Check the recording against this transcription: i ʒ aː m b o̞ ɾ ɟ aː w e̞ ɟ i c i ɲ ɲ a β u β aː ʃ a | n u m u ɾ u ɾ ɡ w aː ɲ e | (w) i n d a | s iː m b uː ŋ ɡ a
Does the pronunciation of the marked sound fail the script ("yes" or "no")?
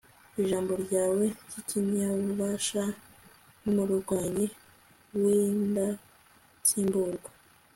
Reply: no